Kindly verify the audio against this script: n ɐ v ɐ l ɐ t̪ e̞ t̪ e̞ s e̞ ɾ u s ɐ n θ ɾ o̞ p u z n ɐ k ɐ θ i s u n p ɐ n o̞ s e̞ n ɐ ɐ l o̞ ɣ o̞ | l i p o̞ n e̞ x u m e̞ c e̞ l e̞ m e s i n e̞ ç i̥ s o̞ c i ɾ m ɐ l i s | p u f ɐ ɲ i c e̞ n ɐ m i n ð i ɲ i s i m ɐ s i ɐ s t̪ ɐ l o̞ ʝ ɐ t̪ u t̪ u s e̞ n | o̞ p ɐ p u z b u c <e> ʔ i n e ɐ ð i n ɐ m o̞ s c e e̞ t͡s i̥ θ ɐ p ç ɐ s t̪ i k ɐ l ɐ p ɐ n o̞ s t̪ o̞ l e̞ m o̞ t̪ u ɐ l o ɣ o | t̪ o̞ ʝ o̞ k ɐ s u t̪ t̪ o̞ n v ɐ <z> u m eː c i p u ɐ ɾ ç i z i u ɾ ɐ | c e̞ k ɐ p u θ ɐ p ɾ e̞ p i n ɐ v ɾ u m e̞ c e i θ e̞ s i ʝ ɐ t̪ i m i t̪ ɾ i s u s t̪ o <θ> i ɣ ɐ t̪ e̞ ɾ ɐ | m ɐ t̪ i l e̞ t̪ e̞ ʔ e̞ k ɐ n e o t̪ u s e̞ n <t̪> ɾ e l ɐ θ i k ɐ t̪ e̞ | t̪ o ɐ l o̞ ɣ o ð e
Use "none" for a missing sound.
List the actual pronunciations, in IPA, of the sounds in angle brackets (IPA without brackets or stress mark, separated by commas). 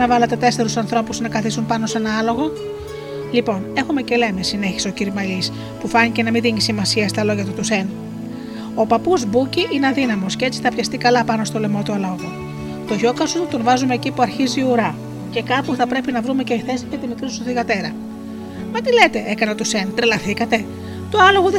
i, z, θ, t̪